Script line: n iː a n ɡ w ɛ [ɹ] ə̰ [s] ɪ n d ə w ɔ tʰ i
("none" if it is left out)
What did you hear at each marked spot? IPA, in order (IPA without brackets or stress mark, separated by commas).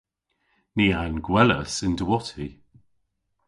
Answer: l, s